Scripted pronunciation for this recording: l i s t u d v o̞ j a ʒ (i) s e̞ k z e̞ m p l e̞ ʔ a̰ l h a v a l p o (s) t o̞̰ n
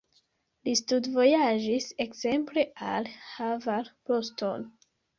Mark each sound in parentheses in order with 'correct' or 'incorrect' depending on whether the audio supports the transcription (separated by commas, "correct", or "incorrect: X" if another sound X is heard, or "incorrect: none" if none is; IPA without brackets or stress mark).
correct, correct